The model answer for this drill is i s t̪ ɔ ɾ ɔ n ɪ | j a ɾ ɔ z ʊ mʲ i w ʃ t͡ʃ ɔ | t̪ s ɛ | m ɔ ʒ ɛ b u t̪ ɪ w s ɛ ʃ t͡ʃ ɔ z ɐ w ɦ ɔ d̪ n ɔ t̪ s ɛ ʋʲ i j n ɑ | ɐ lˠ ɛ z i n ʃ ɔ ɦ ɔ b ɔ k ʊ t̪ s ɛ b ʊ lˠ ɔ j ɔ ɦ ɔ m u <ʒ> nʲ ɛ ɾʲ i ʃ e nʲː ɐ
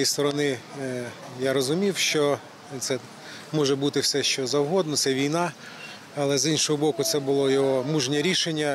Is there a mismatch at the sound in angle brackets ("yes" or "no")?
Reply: no